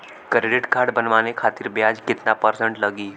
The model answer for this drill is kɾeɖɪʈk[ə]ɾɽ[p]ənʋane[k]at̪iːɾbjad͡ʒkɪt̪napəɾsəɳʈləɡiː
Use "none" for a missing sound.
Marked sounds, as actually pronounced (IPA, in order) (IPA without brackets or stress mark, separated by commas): a, b, kʰ